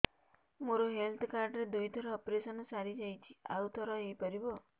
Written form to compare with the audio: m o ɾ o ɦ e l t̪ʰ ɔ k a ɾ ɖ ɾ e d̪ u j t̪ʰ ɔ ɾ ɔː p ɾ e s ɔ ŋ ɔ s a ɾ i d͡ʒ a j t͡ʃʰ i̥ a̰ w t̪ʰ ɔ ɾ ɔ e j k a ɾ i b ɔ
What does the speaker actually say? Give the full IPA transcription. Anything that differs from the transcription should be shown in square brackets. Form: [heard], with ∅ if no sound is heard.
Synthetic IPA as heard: m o ɾ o ɦ e l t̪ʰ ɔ k a ɾ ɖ ɾ e d̪ u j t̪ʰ ɔ ɾ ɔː p ɾ e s ɔ [n] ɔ s a ɾ i d͡ʒ a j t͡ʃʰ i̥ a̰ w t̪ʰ ɔ ɾ ɔ e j [p] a ɾ i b ɔ